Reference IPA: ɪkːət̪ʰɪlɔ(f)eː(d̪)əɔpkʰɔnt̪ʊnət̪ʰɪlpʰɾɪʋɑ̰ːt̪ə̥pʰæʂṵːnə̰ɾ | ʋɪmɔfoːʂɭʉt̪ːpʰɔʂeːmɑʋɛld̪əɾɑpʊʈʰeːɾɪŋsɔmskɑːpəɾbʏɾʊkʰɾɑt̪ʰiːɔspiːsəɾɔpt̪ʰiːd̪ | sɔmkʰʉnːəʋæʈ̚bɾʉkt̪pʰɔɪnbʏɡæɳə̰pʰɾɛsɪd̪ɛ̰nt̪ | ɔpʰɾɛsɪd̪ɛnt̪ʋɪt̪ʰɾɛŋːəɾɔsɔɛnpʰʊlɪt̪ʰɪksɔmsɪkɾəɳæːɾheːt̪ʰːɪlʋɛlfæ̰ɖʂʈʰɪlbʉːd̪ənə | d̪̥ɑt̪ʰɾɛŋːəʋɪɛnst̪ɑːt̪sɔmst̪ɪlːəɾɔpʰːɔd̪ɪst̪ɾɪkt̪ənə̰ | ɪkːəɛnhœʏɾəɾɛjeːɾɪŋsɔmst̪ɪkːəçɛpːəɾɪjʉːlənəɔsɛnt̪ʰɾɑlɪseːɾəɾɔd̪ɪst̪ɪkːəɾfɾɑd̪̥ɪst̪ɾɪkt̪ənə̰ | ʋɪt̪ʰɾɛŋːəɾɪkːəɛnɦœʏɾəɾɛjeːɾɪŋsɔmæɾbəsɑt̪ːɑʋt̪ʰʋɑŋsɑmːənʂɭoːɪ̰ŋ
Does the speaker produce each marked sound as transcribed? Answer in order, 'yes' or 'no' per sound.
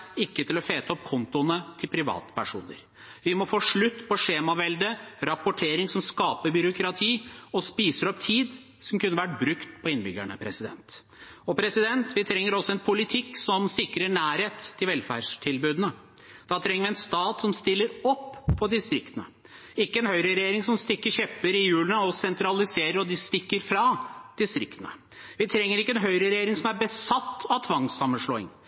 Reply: yes, no

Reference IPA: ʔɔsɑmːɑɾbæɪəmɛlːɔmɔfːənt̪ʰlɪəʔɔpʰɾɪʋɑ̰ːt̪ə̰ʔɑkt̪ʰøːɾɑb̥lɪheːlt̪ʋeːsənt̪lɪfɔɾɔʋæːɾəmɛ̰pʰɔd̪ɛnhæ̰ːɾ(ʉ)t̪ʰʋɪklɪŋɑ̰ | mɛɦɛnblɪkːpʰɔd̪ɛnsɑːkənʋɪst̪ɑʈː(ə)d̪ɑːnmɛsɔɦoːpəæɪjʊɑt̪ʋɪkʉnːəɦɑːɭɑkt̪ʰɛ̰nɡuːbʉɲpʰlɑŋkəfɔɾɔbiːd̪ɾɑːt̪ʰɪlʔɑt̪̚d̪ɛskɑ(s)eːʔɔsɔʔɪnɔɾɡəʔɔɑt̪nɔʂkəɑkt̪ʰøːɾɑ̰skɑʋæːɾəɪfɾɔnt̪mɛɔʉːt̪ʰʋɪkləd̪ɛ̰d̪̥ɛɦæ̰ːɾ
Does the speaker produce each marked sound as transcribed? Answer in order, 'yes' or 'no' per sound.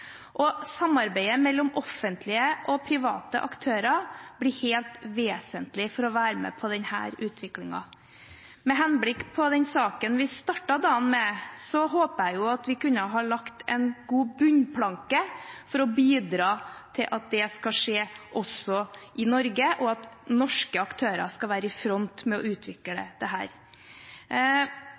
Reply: no, no, no

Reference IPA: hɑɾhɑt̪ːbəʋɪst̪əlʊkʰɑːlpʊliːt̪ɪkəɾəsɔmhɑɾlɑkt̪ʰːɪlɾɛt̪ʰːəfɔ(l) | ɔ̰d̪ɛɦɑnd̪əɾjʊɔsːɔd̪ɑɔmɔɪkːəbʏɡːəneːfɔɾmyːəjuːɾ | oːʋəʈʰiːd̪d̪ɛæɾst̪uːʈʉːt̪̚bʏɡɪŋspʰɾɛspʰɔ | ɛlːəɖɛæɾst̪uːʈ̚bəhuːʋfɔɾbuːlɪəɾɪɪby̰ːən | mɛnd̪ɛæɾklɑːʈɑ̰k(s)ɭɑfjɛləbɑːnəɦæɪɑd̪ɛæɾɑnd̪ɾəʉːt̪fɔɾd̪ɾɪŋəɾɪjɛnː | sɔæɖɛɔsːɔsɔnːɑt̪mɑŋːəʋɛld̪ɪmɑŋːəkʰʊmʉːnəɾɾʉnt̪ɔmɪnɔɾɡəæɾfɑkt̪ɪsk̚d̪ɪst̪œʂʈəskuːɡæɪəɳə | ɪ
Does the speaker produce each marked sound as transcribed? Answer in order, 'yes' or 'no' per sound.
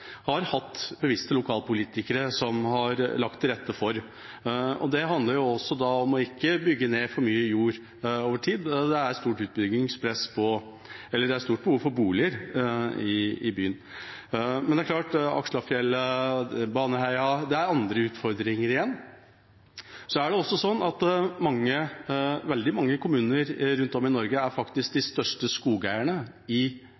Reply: no, no

